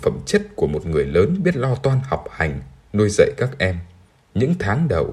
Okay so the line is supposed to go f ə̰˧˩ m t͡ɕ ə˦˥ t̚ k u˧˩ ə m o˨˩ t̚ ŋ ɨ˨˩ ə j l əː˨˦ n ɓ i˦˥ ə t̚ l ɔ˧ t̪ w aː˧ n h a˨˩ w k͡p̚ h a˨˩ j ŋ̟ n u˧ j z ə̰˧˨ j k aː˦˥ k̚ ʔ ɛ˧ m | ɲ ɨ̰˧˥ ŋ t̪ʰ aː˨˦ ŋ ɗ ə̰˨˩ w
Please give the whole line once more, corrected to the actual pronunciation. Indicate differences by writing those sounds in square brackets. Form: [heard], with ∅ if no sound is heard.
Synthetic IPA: f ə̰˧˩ m t͡ɕ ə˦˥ t̚ k u˧˩ ə m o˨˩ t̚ ŋ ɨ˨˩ ə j l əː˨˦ n ɓ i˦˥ ə t̚ l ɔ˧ t̪ w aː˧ n h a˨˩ w k͡p̚ h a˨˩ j ŋ̟ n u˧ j z ə̰˧˨ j k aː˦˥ k̚ ʔ ɛ˧ m | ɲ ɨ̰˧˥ ŋ t̪ʰ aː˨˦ ŋ ɗ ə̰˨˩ w